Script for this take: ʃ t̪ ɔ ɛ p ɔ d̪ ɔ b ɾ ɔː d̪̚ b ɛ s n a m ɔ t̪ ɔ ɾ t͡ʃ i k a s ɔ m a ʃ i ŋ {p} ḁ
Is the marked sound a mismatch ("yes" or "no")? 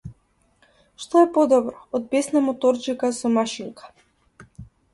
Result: yes